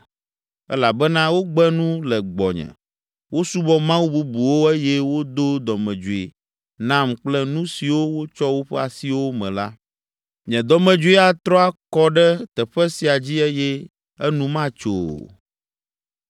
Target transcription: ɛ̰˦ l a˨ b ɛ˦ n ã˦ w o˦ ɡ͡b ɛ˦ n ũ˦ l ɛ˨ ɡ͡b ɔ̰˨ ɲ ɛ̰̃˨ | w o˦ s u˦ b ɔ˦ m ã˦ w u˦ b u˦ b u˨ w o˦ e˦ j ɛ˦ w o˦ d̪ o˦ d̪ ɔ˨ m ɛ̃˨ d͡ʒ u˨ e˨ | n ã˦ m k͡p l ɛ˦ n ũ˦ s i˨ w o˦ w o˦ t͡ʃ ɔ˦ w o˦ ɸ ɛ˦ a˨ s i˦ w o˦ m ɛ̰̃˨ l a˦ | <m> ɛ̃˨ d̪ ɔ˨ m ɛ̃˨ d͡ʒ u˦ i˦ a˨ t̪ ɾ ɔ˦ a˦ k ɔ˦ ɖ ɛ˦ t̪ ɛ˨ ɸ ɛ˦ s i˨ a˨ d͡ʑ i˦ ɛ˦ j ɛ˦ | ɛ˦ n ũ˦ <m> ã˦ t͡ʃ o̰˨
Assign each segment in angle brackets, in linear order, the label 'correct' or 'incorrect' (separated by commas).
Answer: incorrect, correct